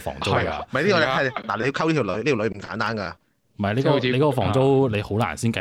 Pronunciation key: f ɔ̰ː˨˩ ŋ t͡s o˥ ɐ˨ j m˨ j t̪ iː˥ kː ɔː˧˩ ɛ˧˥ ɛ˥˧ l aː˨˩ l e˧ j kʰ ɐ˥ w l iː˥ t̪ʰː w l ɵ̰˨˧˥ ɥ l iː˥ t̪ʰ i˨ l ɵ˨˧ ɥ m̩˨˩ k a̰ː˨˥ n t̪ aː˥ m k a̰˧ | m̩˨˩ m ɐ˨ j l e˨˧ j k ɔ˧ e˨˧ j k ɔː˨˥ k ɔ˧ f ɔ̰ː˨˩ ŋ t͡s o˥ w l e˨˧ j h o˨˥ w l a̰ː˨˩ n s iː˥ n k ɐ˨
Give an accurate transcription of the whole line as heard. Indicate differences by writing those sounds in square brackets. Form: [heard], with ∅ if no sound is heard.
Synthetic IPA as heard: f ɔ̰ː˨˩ ŋ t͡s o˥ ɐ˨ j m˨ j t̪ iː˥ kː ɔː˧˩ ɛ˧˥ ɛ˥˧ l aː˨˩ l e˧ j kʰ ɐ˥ w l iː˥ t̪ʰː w l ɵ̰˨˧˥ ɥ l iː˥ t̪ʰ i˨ l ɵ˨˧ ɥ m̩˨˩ k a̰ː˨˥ n t̪ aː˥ [n] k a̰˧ | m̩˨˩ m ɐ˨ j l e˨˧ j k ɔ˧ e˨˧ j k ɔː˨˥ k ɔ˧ f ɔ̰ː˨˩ ŋ t͡s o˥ w l e˨˧ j h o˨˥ w l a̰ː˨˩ n s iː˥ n k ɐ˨